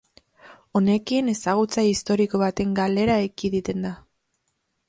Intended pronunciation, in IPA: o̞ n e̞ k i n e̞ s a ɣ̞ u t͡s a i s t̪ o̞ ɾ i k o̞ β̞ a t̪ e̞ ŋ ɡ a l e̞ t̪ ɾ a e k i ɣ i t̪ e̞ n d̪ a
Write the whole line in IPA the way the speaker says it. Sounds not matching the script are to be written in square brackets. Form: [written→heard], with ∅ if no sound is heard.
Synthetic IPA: o̞ n e̞ k i n e̞ s a ɣ̞ u t͡s a i s t̪ o̞ ɾ i k o̞ β̞ a t̪ e̞ ŋ ɡ a l e̞ [t̪→∅] ɾ a e k i [ɣ→ð] i t̪ e̞ n d̪ a